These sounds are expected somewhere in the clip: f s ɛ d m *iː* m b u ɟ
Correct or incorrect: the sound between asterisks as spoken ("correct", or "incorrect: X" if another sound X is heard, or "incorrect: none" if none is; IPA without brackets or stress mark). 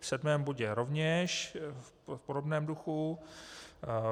incorrect: ɛː